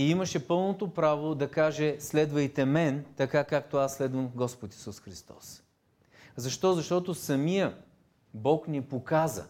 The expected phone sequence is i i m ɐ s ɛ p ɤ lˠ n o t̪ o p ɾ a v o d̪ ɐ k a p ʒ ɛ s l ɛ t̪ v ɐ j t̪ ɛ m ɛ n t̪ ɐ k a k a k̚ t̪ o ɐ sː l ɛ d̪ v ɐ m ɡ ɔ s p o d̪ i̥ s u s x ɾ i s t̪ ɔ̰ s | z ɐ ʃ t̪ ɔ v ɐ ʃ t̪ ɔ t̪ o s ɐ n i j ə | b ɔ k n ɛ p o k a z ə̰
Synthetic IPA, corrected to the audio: i i m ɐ ʃ ɛ p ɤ lˠ n o t̪ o p ɾ a v o d̪ ɐ k a ʒ ɛ s l ɛ d̪ v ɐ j t̪ ɛ m ɛ n t̪ ɐ k a k a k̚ t̪ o a sː l ɛ d̪ v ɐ m ɡ ɔ s p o t̪ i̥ s u s x ɾ i s t̪ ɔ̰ s | z ɐ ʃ t̪ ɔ z ɐ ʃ t̪ ɔ t̪ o s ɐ m i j ə | b ɔ k n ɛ p o k a z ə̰